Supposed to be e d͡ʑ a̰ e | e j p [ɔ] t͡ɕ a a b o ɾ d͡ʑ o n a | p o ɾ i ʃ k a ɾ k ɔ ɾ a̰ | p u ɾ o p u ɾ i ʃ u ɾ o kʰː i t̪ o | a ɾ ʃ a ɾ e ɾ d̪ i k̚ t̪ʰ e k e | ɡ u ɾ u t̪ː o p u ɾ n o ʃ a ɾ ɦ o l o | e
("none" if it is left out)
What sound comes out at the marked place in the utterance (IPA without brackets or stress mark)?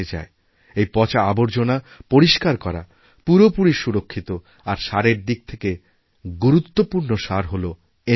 ɔ